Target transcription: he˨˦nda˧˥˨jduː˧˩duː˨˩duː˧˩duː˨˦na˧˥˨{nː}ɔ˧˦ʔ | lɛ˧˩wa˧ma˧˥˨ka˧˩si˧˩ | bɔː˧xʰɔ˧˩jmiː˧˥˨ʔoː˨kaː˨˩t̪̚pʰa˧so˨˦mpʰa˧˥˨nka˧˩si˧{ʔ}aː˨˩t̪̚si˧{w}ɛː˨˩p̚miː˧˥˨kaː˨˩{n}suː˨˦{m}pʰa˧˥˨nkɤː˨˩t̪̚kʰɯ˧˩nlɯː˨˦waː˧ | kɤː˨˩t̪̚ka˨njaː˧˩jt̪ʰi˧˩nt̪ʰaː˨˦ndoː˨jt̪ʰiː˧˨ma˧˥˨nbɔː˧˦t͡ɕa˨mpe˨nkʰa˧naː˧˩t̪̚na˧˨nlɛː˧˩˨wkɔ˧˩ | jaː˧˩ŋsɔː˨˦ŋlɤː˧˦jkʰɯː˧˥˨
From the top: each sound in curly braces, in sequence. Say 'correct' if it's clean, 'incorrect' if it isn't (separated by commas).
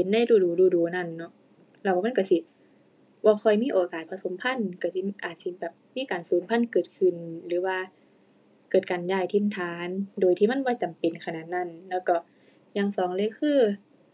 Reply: correct, correct, incorrect, correct, correct